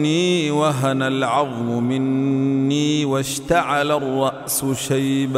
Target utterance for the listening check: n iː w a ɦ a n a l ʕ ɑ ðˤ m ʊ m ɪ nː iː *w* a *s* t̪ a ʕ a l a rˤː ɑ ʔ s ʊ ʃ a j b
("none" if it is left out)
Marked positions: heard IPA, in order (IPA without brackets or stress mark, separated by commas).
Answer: w, ʃ